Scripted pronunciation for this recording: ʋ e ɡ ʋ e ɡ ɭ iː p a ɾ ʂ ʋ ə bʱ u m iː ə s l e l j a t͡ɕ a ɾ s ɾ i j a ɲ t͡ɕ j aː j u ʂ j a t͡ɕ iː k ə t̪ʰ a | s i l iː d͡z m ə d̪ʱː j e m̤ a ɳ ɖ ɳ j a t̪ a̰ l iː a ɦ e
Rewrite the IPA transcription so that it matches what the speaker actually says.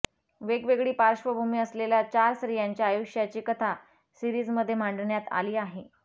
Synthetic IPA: ʋ e ɡ ʋ e ɡ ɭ iː p a ɾ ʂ ʋ ə bʱ u m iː ə s l e l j a t͡ɕ a ɾ s ɾ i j a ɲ t͡ɕ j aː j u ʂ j a t͡ɕ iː k ə t̪ʰ a | s i ɾ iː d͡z m ə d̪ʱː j e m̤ a ɳ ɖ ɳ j a t̪ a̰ l iː a ɦ e